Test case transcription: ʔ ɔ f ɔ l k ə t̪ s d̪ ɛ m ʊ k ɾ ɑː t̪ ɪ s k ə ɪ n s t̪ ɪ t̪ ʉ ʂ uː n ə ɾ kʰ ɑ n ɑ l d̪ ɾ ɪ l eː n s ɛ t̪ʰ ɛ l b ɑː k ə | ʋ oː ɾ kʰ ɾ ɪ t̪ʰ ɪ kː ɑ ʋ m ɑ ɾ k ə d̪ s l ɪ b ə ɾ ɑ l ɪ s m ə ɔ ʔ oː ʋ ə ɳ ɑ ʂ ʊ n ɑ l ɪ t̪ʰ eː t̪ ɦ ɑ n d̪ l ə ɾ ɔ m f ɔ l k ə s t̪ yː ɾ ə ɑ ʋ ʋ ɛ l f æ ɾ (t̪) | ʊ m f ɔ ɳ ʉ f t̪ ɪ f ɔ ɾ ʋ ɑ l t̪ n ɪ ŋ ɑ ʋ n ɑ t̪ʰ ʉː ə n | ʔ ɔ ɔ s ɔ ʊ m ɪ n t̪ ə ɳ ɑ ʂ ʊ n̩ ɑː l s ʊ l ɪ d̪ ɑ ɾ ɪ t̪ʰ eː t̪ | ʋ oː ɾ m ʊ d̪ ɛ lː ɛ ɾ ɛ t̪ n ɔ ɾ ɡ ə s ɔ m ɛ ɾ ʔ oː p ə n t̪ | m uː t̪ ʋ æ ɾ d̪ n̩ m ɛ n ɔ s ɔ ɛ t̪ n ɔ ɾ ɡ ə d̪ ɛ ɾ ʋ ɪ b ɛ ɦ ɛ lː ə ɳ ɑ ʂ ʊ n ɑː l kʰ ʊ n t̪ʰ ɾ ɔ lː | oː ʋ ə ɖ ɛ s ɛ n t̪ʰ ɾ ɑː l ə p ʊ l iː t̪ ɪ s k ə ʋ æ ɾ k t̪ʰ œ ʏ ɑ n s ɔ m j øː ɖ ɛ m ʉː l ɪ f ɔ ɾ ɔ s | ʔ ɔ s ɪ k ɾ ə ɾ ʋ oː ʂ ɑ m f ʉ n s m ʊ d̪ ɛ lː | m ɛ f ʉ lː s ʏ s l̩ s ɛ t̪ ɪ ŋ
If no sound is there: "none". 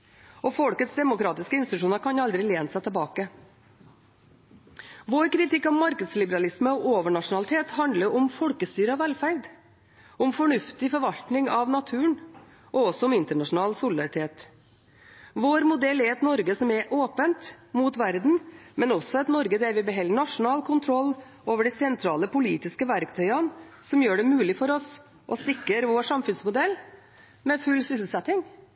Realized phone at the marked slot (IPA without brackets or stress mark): d̪